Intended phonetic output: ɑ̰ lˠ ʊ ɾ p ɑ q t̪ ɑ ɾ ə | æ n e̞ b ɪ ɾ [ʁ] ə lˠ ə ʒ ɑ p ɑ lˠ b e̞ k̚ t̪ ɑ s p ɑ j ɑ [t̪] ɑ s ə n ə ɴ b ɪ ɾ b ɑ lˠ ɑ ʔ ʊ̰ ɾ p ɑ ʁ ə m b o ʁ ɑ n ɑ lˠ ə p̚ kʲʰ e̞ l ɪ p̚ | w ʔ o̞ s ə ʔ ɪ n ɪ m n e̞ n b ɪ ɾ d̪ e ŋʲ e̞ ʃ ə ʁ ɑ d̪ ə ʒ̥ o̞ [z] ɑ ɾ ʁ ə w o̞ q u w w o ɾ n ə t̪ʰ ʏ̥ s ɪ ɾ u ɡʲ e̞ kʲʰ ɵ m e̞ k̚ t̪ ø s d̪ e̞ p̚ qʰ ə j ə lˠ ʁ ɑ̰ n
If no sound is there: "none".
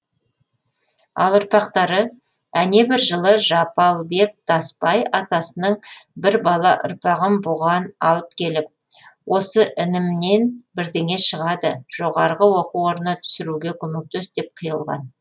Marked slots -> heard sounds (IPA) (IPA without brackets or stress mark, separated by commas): ʒ, t̪, ʁ